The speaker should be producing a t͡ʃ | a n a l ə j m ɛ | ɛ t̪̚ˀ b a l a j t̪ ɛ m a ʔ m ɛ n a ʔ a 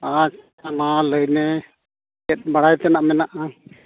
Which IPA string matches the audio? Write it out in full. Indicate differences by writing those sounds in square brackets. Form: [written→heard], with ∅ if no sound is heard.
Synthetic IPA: a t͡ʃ | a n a l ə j [m→n] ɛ | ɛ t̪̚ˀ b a [l→ɽ] a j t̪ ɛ [m→n] a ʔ m ɛ n a ʔ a